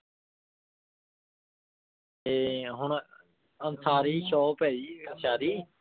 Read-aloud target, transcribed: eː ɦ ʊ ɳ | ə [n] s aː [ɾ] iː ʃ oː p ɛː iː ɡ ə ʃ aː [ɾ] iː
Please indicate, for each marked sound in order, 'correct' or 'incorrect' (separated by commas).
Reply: correct, correct, correct